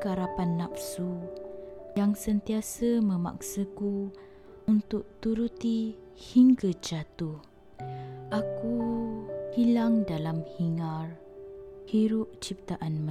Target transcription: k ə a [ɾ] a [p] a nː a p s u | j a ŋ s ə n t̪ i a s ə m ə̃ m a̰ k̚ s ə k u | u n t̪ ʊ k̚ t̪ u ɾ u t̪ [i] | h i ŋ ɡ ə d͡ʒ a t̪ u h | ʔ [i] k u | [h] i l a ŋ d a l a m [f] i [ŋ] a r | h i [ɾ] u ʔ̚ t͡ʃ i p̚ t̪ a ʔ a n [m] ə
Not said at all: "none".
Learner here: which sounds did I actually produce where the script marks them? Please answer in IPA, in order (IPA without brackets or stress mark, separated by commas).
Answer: ɾ, p, i, a, h, h, ŋ, ɾ, m